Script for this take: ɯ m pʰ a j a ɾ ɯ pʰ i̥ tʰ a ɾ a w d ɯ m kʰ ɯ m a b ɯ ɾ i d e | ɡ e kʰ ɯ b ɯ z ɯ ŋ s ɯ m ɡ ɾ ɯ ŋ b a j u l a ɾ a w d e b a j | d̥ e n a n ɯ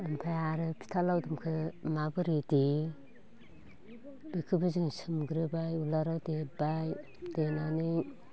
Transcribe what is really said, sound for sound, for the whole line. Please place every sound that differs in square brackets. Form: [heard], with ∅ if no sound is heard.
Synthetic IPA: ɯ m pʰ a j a ɾ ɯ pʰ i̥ tʰ a [l] a w d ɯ m kʰ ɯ m a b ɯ ɾ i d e | [b] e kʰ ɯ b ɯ z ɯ ŋ s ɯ m ɡ ɾ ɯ [∅] b a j u l a ɾ a w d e b a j | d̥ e n a n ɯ